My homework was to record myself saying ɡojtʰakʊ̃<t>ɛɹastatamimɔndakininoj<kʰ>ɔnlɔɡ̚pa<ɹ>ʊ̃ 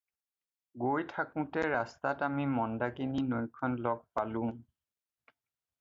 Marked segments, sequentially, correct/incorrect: correct, correct, incorrect

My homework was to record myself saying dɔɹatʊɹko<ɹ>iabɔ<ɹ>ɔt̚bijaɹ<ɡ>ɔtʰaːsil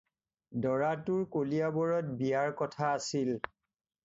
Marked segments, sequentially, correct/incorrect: incorrect, correct, incorrect

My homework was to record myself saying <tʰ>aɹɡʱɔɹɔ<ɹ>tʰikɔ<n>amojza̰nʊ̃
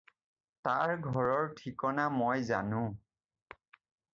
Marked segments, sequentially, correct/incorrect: incorrect, correct, correct

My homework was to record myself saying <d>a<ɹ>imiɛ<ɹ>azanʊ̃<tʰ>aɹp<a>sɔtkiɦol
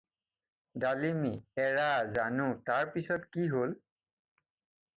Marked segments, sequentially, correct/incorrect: correct, incorrect, correct, incorrect, incorrect

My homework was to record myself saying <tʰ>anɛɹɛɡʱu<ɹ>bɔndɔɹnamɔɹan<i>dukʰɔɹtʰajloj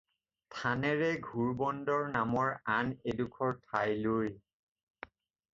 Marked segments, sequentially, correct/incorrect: correct, correct, incorrect

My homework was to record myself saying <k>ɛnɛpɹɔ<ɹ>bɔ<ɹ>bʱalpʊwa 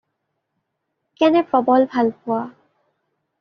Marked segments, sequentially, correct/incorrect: correct, incorrect, incorrect

